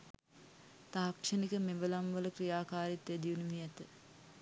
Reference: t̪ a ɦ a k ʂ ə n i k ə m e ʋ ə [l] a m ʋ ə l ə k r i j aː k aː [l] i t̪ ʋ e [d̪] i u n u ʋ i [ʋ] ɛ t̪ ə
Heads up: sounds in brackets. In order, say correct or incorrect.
correct, incorrect: ɾ, correct, incorrect: none

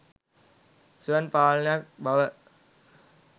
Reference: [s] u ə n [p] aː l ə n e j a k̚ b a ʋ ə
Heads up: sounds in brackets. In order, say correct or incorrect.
correct, correct

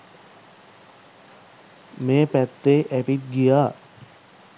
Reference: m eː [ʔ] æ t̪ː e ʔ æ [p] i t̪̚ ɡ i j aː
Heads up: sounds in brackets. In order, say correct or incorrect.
incorrect: p, correct

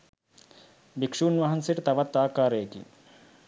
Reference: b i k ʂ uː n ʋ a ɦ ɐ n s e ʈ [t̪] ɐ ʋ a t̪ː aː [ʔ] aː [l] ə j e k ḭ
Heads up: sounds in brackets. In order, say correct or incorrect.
correct, incorrect: k, incorrect: ɾ

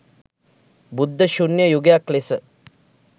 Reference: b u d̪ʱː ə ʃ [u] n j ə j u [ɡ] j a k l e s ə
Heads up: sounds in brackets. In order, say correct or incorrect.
correct, correct

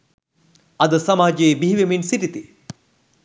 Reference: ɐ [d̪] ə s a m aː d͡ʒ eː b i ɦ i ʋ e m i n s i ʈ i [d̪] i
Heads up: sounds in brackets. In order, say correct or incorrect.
correct, incorrect: t̪

